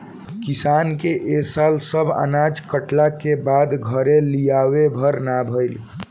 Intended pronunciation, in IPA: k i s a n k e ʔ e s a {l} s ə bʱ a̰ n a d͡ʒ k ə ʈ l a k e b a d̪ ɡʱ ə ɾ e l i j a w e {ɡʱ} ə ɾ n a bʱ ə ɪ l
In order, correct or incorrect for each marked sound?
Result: correct, incorrect

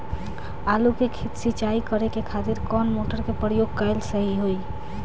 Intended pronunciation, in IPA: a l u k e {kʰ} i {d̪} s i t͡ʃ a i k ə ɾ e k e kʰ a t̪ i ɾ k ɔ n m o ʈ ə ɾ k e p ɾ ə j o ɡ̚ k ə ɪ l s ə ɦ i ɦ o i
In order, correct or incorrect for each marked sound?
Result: correct, incorrect

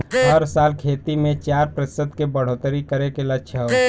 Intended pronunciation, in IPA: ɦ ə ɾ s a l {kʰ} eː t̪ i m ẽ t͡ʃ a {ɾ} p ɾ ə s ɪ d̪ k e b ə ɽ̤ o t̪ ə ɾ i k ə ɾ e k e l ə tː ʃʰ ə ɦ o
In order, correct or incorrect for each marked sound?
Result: correct, correct

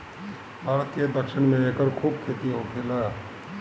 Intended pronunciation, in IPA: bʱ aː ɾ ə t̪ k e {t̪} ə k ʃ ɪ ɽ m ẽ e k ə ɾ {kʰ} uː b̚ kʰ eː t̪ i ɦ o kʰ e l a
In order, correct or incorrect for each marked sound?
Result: incorrect, correct

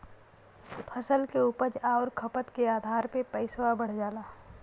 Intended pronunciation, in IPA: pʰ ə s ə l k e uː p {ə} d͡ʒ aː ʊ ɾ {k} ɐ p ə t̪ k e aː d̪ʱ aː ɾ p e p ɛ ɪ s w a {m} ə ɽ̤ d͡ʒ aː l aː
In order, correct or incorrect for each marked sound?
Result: correct, incorrect, incorrect

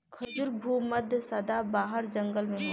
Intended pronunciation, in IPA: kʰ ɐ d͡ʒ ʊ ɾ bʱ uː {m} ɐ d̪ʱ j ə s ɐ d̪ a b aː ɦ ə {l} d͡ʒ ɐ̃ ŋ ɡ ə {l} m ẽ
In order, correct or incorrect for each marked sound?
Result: correct, incorrect, correct

